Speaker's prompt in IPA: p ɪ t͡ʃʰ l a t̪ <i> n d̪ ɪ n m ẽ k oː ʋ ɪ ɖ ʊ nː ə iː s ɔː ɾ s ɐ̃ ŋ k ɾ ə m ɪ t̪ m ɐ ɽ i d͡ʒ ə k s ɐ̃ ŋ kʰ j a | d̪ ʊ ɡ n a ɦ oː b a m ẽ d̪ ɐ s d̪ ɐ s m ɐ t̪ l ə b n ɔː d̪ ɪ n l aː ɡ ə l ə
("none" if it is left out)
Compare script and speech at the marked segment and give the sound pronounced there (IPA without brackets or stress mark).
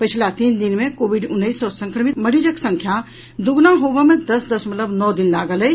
iː